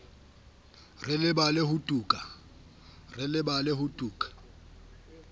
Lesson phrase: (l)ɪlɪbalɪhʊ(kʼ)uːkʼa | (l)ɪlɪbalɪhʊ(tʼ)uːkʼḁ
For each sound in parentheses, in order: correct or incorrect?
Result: incorrect, incorrect, incorrect, correct

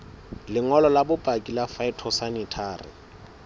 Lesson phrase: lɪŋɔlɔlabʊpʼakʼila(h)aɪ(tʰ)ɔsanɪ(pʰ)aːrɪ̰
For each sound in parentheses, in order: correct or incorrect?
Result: incorrect, correct, incorrect

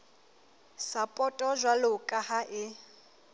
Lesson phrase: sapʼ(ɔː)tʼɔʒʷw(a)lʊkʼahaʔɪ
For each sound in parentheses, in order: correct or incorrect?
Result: incorrect, correct

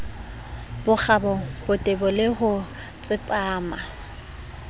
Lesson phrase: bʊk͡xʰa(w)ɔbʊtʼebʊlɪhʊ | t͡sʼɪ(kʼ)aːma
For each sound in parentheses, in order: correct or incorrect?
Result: incorrect, incorrect

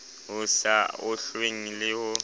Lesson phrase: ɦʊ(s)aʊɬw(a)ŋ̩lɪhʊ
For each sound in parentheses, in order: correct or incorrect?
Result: correct, incorrect

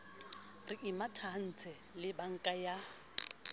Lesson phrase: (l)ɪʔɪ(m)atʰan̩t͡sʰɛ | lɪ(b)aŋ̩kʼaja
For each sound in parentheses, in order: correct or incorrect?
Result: incorrect, correct, correct

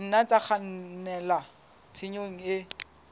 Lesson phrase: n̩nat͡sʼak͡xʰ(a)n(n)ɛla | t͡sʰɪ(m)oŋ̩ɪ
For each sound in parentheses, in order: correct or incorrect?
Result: correct, correct, incorrect

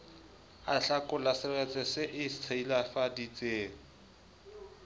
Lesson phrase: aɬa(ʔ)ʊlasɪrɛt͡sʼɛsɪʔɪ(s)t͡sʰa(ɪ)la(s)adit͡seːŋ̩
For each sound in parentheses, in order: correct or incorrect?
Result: incorrect, correct, incorrect, incorrect

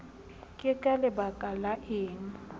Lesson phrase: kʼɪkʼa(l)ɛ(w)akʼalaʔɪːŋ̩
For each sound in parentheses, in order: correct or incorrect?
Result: correct, incorrect

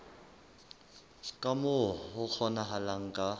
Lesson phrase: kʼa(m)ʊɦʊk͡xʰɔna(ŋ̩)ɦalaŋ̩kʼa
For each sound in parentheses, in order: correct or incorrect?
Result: correct, incorrect

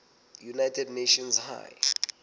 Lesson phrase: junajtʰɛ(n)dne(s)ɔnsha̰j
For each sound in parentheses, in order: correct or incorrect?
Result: incorrect, incorrect

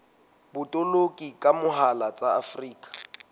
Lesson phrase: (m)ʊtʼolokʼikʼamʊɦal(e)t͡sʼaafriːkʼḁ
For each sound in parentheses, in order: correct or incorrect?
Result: incorrect, incorrect

